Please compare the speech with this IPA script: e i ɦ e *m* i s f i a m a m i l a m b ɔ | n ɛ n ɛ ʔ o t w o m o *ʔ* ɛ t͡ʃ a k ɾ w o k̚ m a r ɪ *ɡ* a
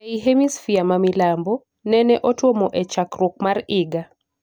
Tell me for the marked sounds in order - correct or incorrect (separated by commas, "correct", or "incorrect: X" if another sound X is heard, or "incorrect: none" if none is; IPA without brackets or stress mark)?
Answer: correct, correct, correct